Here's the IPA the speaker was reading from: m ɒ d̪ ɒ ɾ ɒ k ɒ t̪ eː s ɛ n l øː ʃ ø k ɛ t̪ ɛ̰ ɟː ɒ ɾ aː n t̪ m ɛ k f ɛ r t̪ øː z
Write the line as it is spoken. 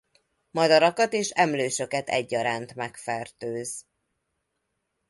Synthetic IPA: m ɒ d̪ ɒ ɾ ɒ k ɒ t̪ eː ʃ ɛ m l øː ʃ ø k ɛ t̪ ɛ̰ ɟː ɒ ɾ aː n t̪ m ɛ k f ɛ r t̪ øː z